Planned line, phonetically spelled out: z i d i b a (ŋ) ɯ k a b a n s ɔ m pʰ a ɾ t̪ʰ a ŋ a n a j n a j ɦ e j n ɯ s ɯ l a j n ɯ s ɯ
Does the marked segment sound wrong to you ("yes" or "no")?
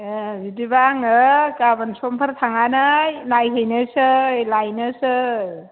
no